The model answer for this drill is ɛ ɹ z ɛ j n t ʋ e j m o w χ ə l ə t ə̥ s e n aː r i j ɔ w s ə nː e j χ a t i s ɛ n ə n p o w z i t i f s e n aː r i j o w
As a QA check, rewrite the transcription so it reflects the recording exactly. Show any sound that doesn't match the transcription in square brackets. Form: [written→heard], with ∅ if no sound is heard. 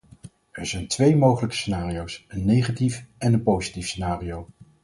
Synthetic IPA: ɛ ɹ z ɛ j n t ʋ e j m o w χ ə l ə [t→k] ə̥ s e n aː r i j [ɔ→o] w s ə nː e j χ a t i [s→f] ɛ n ə n p o w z i t i f s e n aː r i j o w